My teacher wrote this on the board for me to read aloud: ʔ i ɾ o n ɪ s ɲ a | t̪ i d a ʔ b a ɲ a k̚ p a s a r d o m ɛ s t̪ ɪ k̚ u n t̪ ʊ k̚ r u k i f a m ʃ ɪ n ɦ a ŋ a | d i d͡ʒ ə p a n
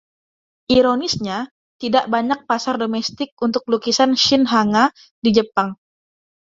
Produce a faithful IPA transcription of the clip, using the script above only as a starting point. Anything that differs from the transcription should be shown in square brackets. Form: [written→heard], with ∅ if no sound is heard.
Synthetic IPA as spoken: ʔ i ɾ o n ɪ s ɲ a | t̪ i d a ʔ b a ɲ a k̚ p a s a r d o m ɛ s t̪ ɪ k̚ u n t̪ ʊ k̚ [r→l] u k i [f→s] a [m→n] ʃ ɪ n ɦ a ŋ a | d i d͡ʒ ə p a [n→ŋ]